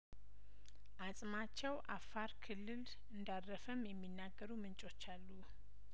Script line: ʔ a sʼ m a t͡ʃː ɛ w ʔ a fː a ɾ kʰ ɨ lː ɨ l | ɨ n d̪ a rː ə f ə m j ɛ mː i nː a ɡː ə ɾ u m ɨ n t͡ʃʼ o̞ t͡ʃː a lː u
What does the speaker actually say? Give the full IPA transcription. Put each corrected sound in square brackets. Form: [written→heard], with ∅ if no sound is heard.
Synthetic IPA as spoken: ʔ a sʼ m a t͡ʃː ɛ w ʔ a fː a ɾ kʰ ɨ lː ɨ l | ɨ n d̪ a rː ə f ə m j ɛ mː i nː a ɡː ə ɾ u m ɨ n t͡ʃʼ o̞ t͡ʃː a lː u